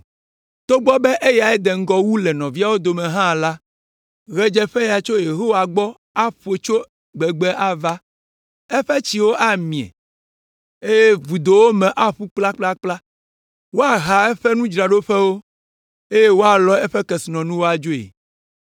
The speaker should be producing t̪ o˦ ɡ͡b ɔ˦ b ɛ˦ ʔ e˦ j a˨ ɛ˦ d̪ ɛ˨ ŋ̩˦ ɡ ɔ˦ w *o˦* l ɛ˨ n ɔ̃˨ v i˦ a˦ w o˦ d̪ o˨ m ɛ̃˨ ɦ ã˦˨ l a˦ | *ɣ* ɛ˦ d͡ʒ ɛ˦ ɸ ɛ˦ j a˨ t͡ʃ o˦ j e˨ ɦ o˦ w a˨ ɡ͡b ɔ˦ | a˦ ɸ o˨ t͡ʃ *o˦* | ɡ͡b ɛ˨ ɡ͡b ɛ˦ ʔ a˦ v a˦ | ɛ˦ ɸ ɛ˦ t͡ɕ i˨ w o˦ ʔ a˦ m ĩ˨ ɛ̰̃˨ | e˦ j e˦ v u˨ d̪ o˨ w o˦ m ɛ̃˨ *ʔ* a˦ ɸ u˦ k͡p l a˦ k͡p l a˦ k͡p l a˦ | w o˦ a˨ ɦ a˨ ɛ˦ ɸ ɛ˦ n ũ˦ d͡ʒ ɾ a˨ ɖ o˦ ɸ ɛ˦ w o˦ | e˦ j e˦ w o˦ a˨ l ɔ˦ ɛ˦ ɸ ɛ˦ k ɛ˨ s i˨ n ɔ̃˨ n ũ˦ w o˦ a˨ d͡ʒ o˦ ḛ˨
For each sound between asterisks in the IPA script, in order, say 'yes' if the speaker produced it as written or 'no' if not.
no, yes, yes, yes

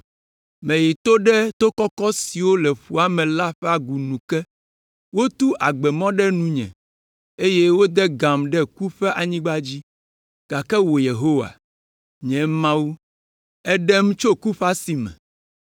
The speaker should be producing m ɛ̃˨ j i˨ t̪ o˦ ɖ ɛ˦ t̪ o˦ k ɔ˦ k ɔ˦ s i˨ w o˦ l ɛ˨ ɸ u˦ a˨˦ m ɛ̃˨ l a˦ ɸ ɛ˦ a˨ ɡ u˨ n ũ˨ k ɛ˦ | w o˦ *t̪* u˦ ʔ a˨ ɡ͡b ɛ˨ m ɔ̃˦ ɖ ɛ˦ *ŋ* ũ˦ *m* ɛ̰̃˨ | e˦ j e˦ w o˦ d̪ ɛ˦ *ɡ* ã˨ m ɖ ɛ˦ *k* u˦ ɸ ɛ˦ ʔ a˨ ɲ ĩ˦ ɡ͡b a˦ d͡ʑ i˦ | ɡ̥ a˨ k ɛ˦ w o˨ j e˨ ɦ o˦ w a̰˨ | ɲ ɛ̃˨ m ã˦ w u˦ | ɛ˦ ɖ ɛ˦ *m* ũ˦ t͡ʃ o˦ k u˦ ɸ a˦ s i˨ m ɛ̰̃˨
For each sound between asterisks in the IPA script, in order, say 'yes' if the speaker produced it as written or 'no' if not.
yes, no, no, yes, yes, yes

